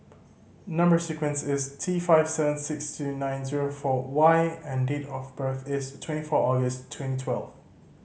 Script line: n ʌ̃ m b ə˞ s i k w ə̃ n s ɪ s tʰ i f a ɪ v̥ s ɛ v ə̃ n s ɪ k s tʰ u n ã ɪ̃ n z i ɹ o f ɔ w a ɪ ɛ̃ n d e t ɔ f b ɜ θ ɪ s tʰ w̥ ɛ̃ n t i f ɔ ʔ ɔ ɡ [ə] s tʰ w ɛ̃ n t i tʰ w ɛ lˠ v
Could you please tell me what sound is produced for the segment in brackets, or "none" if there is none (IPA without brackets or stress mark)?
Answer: ə